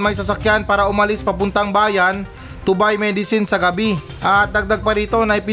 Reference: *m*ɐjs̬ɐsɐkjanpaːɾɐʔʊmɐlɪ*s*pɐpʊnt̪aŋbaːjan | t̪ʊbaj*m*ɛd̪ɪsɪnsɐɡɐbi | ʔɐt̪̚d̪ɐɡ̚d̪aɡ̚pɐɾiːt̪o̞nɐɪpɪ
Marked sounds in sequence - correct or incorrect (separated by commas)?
correct, correct, correct